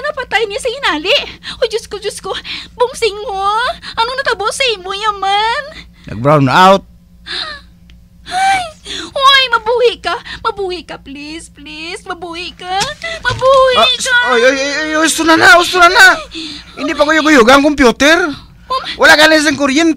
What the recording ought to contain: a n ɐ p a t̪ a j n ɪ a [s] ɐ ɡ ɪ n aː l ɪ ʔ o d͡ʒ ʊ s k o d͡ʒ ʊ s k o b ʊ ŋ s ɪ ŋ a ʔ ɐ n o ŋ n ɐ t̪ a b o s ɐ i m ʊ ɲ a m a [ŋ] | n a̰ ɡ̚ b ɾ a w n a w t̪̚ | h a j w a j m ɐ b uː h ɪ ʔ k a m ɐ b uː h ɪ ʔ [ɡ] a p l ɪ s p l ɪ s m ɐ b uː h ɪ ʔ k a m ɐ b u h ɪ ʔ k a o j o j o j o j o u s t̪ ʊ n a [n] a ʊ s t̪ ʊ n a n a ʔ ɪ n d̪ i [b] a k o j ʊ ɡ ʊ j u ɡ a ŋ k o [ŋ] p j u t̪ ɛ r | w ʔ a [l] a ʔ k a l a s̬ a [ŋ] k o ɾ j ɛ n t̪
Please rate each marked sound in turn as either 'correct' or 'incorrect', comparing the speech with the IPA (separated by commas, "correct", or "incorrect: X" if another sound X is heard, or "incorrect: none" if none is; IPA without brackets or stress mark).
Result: correct, incorrect: n, incorrect: k, correct, incorrect: p, incorrect: m, correct, correct